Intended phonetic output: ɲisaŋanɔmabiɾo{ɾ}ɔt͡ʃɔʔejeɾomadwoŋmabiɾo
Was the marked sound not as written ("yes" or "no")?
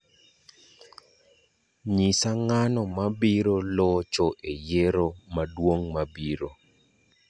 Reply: yes